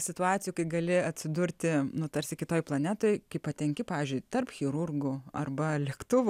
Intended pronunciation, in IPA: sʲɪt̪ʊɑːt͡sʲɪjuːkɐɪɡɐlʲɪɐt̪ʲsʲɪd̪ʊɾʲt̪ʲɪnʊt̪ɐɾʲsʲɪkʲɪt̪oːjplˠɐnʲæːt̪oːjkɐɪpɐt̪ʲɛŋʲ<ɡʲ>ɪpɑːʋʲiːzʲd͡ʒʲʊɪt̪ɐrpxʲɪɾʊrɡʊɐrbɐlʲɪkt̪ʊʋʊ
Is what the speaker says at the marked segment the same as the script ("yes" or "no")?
no